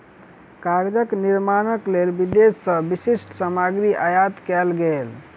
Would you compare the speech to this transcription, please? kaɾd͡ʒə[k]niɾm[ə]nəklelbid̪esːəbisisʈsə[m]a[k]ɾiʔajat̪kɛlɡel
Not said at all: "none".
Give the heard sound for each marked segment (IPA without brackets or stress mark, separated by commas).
k, a, m, ɡ